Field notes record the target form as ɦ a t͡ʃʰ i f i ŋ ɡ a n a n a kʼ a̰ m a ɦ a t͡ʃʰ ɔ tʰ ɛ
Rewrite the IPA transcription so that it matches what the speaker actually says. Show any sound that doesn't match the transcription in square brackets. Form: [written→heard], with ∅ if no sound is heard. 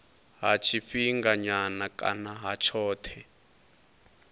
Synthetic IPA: ɦ a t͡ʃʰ i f i ŋ ɡ a [n→ɲ] a n a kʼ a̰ [m→n] a ɦ a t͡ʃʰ [ɔ→ɔː] tʰ ɛ